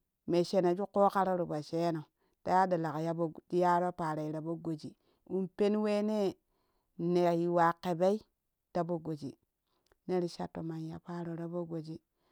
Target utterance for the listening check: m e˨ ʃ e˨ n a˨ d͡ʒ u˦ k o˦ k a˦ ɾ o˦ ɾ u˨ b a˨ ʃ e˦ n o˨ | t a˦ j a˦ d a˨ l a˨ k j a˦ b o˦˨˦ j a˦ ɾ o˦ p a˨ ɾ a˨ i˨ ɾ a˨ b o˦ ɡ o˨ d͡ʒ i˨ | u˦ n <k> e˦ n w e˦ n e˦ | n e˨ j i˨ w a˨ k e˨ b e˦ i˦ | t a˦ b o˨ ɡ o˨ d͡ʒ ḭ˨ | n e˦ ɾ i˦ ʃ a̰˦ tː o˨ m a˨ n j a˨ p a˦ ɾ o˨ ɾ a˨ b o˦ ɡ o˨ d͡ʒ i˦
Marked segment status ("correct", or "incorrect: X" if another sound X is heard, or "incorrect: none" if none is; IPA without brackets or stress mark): incorrect: p